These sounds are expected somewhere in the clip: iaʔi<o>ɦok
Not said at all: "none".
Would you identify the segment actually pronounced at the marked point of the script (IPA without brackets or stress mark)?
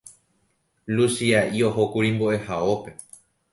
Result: o